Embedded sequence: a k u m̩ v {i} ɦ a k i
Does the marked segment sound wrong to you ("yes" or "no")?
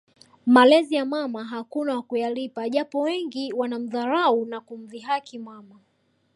no